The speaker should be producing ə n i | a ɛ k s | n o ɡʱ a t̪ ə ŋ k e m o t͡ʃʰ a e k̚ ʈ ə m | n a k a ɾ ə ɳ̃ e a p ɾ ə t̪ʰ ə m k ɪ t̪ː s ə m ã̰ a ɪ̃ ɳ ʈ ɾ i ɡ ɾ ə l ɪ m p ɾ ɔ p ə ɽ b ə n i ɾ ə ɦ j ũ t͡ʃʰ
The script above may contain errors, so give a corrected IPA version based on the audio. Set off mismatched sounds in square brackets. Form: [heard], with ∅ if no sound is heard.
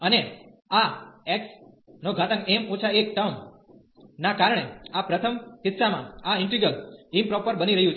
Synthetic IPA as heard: ə n [e] | a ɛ k s | n o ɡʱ a t̪ ə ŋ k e m o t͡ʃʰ a e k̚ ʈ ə m | n a k a ɾ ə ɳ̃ e a p ɾ ə t̪ʰ ə m k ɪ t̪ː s [a] m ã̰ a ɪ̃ ɳ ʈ ɾ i ɡ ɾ ə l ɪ m p ɾ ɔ p ə [ɾ] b ə n i ɾ ə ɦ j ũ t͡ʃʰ

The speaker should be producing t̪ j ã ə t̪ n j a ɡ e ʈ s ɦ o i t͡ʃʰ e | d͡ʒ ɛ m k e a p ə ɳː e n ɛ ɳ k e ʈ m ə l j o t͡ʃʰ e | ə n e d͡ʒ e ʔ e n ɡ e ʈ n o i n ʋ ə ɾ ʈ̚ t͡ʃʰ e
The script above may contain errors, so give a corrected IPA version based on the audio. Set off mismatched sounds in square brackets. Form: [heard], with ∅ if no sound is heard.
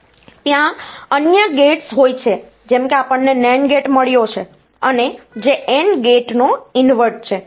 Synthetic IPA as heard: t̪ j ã ə [∅] n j [ə] ɡ e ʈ s ɦ o [j] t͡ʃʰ e | d͡ʒ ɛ m k e a p ə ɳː e n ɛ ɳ [ɡ] e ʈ m ə [ɭ] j o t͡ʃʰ e | ə n e d͡ʒ e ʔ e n ɡ e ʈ n o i n ʋ ə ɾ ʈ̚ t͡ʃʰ e

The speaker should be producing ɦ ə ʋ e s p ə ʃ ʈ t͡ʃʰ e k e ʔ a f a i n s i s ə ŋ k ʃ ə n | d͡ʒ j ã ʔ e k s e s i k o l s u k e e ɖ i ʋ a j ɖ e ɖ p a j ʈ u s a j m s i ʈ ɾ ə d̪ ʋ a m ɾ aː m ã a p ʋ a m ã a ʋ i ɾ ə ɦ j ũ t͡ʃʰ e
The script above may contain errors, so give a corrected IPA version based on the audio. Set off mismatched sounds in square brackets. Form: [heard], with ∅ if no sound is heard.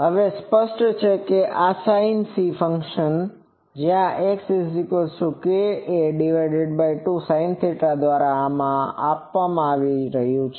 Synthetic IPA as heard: ɦ ə ʋ e s p ə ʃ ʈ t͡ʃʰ e k e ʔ a [s] a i n s i [f] ə ŋ k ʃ ə n | d͡ʒ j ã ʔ e k s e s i k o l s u k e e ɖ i ʋ a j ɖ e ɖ [b] a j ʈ u s a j [n] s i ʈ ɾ [a] d̪ ʋ a [∅] ɾ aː m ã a p ʋ a m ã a ʋ i ɾ ə ɦ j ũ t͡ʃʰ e

